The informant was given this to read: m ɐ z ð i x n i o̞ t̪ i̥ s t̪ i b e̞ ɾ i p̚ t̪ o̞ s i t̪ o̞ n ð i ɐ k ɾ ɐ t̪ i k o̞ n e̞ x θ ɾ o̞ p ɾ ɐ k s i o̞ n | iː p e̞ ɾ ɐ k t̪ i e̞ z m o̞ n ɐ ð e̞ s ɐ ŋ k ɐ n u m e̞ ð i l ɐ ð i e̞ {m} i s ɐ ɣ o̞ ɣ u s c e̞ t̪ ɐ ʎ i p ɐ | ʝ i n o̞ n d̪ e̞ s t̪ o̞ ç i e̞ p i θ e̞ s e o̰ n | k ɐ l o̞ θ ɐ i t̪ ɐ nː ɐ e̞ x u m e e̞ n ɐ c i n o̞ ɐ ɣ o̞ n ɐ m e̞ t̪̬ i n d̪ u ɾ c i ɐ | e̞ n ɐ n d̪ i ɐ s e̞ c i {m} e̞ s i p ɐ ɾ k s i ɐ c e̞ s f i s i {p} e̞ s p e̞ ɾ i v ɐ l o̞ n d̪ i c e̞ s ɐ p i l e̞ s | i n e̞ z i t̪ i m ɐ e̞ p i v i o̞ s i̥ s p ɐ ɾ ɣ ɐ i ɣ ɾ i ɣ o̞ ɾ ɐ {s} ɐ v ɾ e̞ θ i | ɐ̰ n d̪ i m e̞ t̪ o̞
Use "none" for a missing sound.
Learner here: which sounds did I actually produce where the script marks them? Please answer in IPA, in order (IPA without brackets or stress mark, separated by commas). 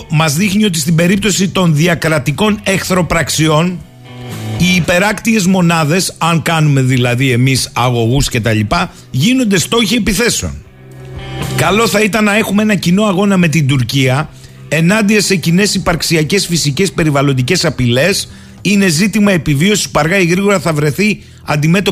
m, n, c, θ